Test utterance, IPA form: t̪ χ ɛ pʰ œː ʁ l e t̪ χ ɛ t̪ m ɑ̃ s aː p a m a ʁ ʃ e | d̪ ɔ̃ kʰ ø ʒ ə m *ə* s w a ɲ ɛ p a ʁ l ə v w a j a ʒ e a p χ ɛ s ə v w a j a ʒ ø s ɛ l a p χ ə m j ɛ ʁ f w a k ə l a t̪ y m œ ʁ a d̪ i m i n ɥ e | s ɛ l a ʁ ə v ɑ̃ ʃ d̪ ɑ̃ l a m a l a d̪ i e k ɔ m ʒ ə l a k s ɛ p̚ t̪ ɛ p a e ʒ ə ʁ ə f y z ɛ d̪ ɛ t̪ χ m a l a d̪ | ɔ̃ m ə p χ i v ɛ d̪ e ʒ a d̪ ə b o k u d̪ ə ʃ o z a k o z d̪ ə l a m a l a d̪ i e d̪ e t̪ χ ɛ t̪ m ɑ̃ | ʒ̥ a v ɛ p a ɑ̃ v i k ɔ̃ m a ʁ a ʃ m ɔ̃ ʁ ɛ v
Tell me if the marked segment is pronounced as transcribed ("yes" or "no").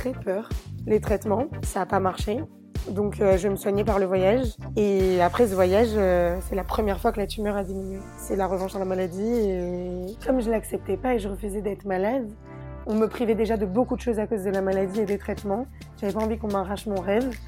yes